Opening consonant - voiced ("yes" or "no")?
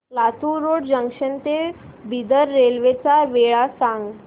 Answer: yes